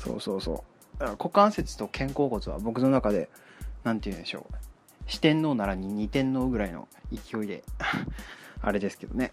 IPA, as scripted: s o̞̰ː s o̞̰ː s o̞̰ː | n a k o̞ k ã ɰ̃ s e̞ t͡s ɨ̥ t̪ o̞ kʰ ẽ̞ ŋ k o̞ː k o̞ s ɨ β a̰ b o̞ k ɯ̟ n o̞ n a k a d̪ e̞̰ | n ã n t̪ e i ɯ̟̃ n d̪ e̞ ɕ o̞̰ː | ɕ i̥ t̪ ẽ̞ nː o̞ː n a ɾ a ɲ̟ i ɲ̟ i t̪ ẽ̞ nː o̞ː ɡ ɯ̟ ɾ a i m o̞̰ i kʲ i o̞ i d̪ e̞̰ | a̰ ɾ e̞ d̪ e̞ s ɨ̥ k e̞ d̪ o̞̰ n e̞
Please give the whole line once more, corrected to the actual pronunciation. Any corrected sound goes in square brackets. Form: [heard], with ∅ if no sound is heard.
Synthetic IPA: s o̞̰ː s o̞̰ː s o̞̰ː | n a k o̞ k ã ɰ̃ s e̞ t͡s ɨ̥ t̪ o̞ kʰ ẽ̞ ŋ k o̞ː k o̞ [t͡s] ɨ β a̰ b o̞ k ɯ̟ n o̞ n a k a d̪ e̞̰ | n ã n t̪ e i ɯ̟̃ n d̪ e̞ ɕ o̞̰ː | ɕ i̥ t̪ ẽ̞ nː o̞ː n a ɾ a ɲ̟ i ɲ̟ i t̪ ẽ̞ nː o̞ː ɡ ɯ̟ ɾ a i [n] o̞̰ i kʲ i o̞ i d̪ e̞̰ | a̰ ɾ e̞ d̪ e̞ s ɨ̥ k e̞ d̪ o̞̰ n e̞